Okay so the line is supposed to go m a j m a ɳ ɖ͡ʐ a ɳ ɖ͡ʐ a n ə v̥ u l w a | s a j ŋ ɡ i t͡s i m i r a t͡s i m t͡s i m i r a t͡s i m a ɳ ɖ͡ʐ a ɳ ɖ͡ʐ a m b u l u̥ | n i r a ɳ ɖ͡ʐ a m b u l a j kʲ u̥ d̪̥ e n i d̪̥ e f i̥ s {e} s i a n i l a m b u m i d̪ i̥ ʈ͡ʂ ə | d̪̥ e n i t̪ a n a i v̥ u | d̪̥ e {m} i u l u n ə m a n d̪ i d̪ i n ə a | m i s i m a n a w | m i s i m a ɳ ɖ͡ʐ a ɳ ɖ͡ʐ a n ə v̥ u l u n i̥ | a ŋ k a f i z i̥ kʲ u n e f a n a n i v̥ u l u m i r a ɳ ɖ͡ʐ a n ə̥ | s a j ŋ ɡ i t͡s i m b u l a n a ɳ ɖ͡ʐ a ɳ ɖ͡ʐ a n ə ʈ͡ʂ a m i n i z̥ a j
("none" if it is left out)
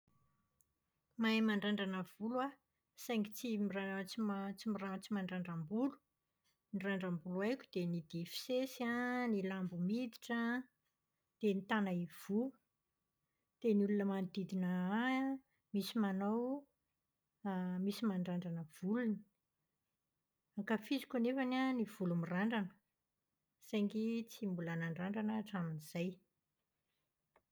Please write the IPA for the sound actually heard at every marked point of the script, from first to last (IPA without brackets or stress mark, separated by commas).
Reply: e, n